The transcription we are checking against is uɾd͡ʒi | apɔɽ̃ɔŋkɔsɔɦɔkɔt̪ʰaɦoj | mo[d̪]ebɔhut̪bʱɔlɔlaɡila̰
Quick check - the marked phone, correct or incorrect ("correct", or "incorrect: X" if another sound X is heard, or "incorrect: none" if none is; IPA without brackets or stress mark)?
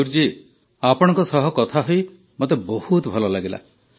incorrect: t̪